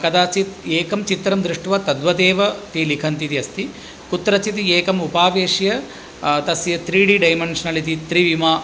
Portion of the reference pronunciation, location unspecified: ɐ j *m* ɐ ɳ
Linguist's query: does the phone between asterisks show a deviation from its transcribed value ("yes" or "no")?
no